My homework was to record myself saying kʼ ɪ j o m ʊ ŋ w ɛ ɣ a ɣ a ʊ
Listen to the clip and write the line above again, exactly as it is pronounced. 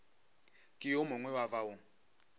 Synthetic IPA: kʼ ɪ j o m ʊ ŋ w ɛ w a v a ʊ